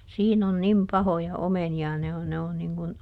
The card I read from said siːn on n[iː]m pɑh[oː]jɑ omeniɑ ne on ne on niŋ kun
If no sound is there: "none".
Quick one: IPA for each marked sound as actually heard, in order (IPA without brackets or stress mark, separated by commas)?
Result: i, o